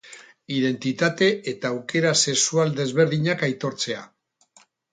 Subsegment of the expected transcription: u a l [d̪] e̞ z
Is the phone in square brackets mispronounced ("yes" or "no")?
no